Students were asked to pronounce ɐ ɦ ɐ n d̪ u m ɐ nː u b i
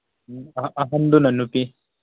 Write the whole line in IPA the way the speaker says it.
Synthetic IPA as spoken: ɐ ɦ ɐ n d̪ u n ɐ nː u p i